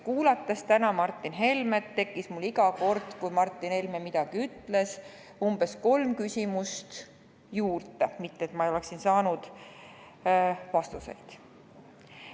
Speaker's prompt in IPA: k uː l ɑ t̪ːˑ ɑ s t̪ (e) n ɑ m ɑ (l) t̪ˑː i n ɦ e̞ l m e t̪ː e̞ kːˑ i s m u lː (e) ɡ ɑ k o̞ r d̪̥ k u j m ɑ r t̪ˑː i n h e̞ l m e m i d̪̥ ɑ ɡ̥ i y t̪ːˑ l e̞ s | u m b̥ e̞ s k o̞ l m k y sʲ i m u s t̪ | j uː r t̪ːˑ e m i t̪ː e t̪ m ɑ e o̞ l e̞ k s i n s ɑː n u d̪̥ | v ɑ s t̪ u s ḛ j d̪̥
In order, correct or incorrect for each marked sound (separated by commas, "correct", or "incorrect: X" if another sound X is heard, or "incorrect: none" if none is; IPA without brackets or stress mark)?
incorrect: æ, incorrect: r, incorrect: i